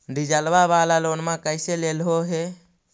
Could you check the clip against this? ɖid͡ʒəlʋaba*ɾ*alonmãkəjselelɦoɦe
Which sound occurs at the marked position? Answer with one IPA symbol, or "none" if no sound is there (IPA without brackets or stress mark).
l